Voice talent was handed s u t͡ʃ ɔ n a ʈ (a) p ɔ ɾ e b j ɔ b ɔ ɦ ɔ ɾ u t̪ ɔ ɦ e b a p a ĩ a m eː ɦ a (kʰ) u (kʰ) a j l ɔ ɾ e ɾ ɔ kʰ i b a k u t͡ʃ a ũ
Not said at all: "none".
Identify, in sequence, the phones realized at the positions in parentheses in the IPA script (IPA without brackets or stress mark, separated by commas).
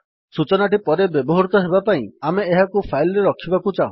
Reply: i, k, pʰ